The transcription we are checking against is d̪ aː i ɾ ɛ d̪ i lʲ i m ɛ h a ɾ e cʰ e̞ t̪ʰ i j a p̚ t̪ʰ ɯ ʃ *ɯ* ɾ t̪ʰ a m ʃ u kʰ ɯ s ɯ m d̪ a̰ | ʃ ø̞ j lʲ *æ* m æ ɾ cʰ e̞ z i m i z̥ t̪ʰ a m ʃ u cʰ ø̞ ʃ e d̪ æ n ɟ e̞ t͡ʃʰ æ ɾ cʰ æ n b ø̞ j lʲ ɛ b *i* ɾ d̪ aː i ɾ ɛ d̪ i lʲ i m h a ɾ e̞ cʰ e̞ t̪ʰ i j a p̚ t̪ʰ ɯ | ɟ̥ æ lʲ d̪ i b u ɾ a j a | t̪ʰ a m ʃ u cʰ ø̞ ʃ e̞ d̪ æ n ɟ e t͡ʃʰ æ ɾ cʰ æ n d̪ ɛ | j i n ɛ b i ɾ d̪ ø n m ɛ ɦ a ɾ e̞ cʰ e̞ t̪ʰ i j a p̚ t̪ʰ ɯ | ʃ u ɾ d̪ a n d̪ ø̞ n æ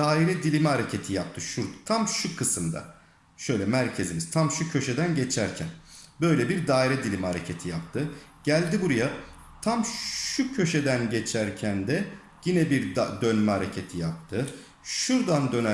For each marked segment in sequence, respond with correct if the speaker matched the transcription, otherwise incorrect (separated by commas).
incorrect, incorrect, correct